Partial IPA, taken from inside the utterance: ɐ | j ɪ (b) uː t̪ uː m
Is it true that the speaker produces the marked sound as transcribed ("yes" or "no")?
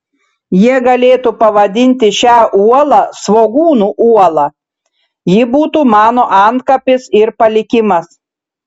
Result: yes